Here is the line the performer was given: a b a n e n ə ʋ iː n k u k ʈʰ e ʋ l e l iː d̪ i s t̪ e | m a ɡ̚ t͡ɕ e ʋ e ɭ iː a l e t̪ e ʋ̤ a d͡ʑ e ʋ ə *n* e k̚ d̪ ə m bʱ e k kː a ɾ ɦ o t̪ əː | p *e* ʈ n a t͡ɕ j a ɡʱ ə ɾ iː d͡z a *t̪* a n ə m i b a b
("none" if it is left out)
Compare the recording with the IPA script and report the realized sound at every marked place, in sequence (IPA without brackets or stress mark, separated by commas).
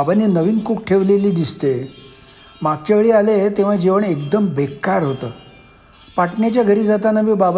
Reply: ɳ, a, t̪